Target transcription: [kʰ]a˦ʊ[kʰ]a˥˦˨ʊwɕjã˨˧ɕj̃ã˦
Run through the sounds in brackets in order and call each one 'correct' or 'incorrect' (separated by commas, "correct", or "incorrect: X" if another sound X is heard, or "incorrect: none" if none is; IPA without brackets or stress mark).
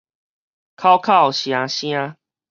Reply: correct, correct